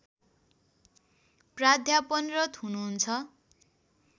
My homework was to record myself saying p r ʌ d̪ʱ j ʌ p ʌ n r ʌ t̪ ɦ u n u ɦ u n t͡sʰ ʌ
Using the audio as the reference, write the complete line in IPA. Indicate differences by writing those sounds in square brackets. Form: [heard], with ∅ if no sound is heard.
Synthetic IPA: p r [a] d̪ʱ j [a] p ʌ n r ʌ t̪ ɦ u n u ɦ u n t͡sʰ ʌ